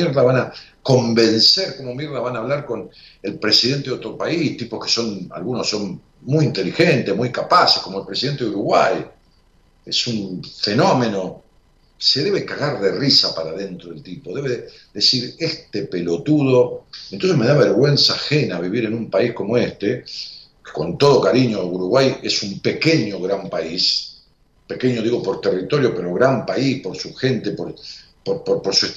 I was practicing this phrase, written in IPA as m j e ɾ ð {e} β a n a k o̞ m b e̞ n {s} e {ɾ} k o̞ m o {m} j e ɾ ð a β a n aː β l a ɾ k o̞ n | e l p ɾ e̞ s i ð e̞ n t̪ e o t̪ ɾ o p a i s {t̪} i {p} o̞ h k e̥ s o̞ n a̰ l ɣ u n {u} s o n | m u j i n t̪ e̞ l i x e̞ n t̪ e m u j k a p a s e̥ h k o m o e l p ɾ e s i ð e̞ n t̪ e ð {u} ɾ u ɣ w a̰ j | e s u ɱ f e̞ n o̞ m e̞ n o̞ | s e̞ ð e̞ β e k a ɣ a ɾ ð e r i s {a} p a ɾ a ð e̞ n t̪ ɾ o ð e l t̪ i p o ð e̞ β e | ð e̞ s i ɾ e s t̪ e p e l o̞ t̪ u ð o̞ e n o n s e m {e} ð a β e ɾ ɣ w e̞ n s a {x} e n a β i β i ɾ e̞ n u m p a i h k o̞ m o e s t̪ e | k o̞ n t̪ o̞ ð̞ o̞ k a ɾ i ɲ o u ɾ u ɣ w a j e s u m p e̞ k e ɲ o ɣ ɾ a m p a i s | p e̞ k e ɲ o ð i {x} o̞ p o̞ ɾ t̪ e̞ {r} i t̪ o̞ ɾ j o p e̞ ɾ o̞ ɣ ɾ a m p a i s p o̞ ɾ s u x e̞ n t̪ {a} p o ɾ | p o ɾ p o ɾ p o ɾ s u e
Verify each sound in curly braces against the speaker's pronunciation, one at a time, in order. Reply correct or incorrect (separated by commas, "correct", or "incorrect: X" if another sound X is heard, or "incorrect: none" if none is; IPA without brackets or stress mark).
incorrect: a, correct, correct, correct, correct, correct, incorrect: o, correct, correct, correct, correct, incorrect: ɣ, correct, incorrect: e